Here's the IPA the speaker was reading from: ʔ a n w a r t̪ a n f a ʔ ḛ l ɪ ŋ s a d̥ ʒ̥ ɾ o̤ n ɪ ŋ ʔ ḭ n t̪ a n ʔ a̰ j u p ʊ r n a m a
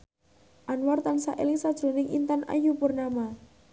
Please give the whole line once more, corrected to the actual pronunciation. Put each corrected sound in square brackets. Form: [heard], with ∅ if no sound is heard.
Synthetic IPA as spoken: ʔ a n w a r t̪ a n [s] a ʔ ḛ l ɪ ŋ s a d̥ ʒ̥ ɾ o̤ n ɪ ŋ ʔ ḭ n t̪ a n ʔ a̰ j u p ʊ r n a m a